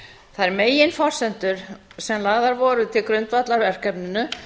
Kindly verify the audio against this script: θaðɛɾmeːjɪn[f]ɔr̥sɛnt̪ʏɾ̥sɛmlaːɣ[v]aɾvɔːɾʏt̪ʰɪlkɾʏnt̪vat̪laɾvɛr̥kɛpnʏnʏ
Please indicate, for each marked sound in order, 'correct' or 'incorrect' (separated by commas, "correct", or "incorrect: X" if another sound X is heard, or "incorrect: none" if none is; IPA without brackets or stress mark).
correct, incorrect: ð